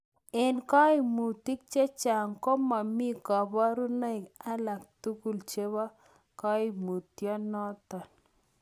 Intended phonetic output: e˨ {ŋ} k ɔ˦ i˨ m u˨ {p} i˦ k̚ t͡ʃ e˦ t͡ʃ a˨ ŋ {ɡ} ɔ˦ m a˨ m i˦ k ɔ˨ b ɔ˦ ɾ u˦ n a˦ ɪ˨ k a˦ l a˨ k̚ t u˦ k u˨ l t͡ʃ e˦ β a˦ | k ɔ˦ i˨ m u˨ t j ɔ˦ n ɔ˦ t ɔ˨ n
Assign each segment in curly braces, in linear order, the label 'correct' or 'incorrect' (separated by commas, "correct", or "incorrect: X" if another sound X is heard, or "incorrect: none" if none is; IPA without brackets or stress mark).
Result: incorrect: n, incorrect: t, incorrect: k